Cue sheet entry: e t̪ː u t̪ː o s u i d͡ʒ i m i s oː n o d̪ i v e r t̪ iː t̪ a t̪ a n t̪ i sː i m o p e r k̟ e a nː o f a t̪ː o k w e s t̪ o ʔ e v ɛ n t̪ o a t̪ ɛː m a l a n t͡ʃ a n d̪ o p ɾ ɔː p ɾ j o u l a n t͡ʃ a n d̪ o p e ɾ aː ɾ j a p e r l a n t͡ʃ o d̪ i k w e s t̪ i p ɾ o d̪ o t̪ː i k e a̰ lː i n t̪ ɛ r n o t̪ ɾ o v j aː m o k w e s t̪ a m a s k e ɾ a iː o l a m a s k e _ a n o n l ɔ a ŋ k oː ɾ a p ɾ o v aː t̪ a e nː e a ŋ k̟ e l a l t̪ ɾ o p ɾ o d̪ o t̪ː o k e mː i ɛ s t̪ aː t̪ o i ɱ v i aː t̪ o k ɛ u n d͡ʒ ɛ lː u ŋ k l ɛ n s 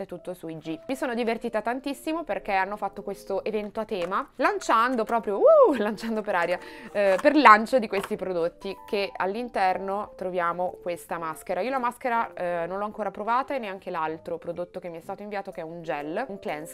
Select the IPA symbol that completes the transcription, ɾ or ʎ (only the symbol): ɾ